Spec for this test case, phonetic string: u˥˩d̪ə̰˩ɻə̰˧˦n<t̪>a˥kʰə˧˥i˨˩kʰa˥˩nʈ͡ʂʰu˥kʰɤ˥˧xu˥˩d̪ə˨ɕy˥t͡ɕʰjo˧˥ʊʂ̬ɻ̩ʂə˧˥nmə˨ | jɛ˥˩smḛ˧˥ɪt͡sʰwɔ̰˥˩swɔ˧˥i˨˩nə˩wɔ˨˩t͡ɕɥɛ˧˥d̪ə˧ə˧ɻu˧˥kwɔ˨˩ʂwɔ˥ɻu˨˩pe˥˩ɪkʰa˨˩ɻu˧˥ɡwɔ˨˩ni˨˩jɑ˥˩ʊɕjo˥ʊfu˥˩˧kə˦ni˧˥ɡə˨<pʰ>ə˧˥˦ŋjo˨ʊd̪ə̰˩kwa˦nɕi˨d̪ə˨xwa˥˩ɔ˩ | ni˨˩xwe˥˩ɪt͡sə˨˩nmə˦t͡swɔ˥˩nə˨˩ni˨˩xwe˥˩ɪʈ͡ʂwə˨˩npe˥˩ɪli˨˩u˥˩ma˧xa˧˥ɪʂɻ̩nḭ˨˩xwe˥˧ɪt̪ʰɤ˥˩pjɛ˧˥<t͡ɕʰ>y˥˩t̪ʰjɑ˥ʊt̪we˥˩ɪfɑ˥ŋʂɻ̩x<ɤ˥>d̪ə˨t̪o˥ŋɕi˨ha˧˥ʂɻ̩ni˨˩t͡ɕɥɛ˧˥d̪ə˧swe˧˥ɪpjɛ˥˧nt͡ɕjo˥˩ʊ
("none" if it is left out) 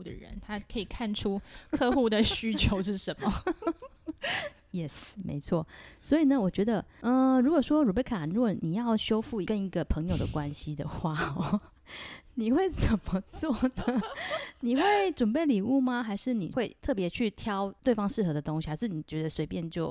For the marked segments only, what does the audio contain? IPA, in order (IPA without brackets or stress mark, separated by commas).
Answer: t̪ʰ, pʰ, t͡ɕʰ, ɤ˧˥